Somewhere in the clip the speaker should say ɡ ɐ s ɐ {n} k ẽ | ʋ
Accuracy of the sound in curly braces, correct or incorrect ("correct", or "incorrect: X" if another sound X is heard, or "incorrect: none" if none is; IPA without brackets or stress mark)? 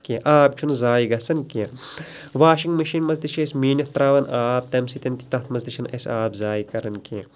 correct